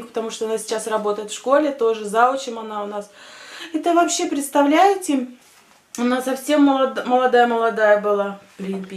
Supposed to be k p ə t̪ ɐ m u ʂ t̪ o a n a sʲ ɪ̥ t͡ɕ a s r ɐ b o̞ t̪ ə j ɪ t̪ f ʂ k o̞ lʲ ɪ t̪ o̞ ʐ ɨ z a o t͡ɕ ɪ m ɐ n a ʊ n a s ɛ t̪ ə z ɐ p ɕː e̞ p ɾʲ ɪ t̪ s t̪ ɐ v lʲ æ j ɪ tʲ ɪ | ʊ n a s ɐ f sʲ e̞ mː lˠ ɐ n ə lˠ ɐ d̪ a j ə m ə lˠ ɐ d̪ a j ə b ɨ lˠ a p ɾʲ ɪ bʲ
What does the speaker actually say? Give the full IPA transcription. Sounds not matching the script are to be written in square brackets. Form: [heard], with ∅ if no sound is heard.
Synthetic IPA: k p ə t̪ ɐ m u ʂ t̪ o [ɐ] n a sʲ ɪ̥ t͡ɕ a s r ɐ b o̞ t̪ ə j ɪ t̪ f ʂ k o̞ lʲ ɪ t̪ o̞ ʐ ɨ z a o t͡ɕ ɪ m ɐ n a ʊ n a s ɛ t̪ ə [v] ɐ p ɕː e̞ p ɾʲ ɪ t̪ s t̪ ɐ v lʲ æ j ɪ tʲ ɪ | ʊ n a s ɐ f sʲ e̞ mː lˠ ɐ [m] ə lˠ ɐ d̪ a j ə m ə lˠ ɐ d̪ a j ə b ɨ lˠ a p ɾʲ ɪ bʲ